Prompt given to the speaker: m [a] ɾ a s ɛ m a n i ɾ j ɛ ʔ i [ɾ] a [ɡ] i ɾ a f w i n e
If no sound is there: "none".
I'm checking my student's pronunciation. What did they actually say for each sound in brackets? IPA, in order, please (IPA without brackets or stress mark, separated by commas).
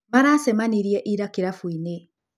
a, ɾ, k